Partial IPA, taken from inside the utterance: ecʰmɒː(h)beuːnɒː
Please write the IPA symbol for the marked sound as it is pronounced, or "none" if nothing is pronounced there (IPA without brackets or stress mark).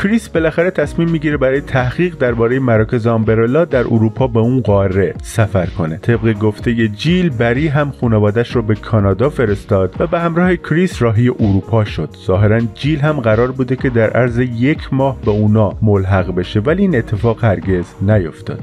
h